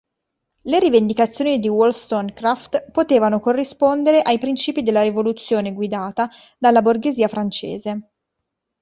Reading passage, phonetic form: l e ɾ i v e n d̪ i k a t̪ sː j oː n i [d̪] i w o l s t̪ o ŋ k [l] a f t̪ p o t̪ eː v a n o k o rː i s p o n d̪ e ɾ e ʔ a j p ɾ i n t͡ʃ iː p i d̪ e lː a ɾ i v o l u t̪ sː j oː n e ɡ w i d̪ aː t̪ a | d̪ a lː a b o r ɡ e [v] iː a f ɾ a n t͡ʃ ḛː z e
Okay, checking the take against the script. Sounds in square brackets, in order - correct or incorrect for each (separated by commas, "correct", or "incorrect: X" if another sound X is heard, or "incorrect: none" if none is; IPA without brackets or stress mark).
correct, incorrect: ɾ, incorrect: z